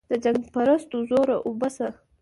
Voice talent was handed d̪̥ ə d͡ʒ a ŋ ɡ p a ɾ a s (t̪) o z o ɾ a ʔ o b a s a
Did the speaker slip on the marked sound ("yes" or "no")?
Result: no